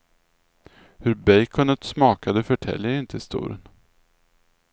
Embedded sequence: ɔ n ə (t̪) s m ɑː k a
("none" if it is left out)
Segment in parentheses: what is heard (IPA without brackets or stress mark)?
t̪